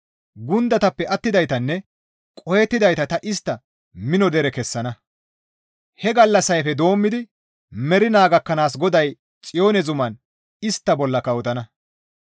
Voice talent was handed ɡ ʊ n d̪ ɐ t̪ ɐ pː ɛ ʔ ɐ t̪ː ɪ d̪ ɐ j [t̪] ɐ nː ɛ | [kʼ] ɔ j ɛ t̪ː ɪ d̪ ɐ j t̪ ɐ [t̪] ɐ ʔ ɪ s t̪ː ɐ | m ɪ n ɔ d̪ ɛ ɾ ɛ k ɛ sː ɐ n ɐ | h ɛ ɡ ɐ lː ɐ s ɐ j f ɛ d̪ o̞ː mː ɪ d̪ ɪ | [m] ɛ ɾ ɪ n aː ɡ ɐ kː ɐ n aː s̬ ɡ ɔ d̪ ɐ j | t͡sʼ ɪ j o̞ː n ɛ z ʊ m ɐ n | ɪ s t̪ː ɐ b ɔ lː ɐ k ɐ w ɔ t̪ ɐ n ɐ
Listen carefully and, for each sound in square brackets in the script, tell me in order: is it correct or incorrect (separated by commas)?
correct, correct, correct, correct